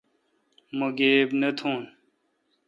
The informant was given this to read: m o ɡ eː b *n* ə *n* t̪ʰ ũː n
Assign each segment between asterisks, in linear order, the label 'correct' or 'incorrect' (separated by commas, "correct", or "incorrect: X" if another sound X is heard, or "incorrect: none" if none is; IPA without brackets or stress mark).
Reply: correct, incorrect: none